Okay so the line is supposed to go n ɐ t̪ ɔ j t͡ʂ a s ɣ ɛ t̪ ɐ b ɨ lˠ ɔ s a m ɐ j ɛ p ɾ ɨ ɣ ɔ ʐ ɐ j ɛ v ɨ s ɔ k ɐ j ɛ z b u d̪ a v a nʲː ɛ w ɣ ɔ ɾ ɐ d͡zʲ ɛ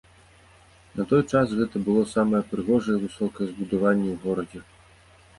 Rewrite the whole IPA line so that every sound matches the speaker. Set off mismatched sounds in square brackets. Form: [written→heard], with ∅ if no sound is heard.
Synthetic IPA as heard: n ɐ t̪ ɔ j t͡ʂ a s ɣ ɛ t̪ ɐ b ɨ lˠ ɔ s a m ɐ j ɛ p ɾ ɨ ɣ ɔ ʐ ɐ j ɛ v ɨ s ɔ k ɐ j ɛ z b u d̪ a v a nʲː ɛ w ɣ ɔ ɾ ɐ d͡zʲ ɛ